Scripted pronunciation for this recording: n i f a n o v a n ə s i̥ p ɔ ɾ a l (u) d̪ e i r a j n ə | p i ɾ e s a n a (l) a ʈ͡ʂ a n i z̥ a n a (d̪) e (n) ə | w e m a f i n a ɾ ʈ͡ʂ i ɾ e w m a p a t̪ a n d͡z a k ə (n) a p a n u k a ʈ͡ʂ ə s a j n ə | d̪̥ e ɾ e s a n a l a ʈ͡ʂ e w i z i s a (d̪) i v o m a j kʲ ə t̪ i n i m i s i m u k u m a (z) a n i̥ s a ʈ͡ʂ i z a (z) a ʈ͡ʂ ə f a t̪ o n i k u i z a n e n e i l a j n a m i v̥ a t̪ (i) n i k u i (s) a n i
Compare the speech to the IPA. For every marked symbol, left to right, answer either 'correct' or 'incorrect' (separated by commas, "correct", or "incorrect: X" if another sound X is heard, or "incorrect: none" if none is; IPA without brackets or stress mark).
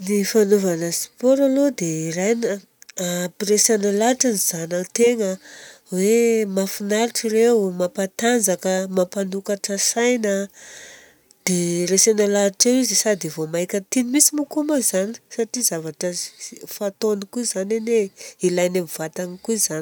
incorrect: o, correct, incorrect: t̪, incorrect: ŋ, incorrect: m, correct, correct, incorrect: v, incorrect: a, incorrect: z